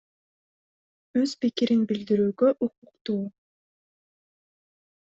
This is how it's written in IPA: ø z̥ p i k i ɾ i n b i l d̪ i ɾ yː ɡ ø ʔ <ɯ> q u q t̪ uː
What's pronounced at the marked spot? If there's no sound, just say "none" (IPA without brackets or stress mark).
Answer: u